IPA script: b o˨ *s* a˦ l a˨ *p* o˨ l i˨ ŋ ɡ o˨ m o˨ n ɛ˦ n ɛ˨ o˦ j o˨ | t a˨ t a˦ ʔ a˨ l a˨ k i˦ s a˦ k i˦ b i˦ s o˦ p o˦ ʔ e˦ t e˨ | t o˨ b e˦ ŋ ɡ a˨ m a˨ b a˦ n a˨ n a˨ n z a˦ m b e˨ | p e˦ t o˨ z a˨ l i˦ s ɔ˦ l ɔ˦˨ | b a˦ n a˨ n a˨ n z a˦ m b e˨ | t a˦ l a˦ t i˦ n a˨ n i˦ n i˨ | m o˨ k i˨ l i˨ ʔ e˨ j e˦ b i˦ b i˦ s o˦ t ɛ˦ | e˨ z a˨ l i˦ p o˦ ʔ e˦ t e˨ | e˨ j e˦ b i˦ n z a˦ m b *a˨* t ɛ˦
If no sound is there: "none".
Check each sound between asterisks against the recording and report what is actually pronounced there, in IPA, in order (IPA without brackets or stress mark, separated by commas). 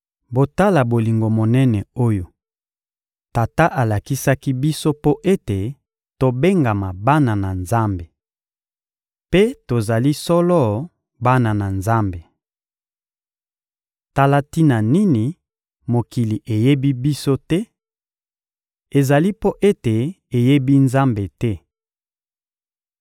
t, b, e˨